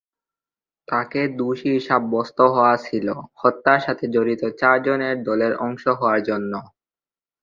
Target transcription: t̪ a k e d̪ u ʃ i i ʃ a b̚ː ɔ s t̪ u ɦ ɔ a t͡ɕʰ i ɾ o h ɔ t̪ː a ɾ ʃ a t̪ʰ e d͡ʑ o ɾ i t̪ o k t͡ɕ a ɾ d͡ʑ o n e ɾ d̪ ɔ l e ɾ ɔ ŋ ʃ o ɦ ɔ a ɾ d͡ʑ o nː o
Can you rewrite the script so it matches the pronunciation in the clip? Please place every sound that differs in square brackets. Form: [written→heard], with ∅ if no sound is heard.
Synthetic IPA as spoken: t̪ a k e d̪ u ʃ i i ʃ a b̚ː ɔ s t̪ [u→o] ɦ ɔ a t͡ɕʰ i [ɾ→l] o h ɔ t̪ː a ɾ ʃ a t̪ʰ e d͡ʑ o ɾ i t̪ o [k→∅] t͡ɕ a ɾ d͡ʑ o n e ɾ d̪ ɔ l e ɾ ɔ ŋ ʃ o ɦ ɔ a ɾ d͡ʑ o nː o